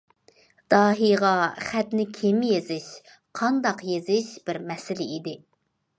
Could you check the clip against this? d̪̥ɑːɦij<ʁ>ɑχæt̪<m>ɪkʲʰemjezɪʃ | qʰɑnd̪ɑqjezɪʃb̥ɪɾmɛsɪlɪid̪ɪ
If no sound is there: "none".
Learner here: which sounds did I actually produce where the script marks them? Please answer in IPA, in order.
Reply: ʁ, n

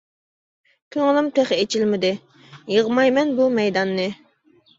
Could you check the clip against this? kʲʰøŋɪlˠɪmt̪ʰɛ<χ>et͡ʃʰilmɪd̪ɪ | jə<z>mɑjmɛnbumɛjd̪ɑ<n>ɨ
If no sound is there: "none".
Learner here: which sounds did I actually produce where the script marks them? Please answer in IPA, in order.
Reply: χ, ʁ, nː

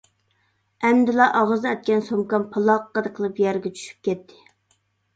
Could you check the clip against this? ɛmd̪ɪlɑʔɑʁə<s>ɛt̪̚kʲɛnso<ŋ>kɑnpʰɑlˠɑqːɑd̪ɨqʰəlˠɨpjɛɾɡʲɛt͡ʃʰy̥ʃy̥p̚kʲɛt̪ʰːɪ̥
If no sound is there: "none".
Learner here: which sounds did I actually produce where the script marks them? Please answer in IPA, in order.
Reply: z, m

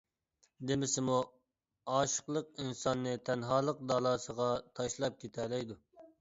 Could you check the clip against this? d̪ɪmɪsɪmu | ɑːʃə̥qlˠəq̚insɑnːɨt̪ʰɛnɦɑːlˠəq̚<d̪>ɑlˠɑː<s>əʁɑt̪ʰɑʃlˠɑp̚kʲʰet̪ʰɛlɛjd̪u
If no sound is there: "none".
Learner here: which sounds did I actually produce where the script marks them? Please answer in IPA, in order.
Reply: d̪, s

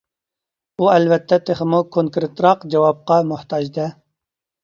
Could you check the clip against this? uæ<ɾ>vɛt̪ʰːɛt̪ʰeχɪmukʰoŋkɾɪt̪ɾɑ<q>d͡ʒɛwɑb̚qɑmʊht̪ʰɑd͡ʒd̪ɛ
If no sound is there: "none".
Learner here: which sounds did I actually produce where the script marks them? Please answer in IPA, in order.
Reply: l, q

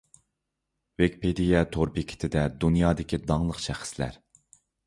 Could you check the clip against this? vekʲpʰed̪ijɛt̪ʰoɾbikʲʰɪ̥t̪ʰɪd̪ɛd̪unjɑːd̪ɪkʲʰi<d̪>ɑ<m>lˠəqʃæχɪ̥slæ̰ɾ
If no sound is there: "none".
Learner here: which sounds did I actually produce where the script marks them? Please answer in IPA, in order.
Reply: d̪, ŋ

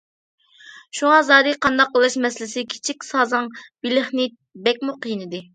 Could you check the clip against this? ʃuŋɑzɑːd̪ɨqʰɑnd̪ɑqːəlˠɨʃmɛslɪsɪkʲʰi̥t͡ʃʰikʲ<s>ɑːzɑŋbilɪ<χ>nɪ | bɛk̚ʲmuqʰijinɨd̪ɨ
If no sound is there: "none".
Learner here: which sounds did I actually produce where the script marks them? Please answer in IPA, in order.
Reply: s, χ

